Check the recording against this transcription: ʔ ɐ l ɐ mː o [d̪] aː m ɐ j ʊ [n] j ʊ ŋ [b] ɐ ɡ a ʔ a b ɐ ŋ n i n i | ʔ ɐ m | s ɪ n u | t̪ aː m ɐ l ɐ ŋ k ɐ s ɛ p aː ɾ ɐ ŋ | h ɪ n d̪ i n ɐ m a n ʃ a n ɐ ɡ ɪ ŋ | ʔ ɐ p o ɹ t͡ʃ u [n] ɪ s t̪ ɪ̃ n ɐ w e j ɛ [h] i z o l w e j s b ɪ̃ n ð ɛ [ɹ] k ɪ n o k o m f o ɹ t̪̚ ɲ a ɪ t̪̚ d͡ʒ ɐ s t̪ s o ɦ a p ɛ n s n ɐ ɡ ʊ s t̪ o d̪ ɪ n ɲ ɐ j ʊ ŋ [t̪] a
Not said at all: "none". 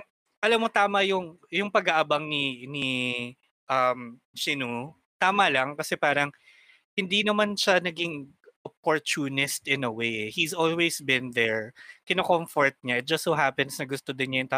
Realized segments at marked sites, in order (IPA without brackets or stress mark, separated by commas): t̪, ŋ, p, n, h, ɹ, t̪